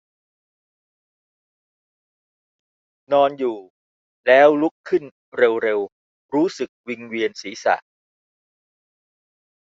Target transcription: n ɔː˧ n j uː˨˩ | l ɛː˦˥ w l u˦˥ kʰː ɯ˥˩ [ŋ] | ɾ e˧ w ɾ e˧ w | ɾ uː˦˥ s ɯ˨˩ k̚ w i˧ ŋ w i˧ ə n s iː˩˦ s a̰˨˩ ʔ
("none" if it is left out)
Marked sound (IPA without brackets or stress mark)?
n